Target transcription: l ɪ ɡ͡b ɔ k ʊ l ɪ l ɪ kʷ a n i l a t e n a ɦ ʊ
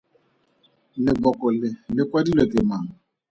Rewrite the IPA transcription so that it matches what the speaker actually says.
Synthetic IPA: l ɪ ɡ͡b ɔ k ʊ l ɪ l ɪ kʷ a d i l e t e m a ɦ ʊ

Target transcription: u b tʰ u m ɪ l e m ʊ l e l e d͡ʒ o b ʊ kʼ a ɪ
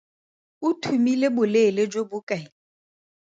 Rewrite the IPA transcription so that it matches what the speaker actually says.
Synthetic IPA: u tʰ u m i l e b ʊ l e l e d͡ʒ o b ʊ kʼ a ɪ

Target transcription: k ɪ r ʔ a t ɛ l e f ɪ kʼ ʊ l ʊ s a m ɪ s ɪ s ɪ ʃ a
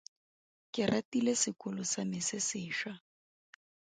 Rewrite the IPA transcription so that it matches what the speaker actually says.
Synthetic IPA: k ɪ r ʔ a t i l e s ɪ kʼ ʊ l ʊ s a m ɪ s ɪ s ɪː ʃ a

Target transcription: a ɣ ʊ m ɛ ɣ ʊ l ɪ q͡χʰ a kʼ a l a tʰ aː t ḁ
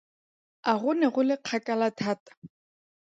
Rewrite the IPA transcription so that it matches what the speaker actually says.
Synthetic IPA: a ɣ ʊ n ɛ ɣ ʊ l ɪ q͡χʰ a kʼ a l a tʰ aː t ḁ

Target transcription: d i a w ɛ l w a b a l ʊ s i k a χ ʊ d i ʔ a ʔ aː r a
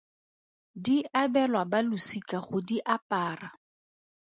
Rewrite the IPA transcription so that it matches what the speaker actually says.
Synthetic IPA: d i a b ɛ l w a b a l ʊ s i k a χ ʊ d i ʔ a p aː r a

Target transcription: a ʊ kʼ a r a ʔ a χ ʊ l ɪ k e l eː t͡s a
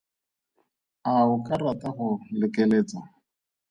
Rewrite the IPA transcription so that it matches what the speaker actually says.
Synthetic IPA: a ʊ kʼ a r a t a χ ʊ l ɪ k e l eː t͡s a

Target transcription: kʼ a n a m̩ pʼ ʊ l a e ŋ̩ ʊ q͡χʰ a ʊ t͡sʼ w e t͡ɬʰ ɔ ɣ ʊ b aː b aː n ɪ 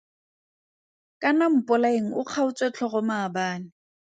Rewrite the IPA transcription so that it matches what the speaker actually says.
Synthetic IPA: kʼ a n a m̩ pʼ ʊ l a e ŋ̩ ʊ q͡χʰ a ʊ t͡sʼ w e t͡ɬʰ ɔ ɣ ʊ m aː b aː n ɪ

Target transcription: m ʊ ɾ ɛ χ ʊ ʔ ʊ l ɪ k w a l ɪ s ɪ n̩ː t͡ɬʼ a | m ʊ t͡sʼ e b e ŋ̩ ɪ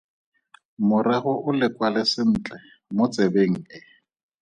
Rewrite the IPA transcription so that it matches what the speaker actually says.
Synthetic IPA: m ʊ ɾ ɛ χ ʊ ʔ ʊ l ɪ k w a l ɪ s ɪ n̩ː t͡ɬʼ ɛ | m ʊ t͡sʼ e b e ŋ̩ ɪ

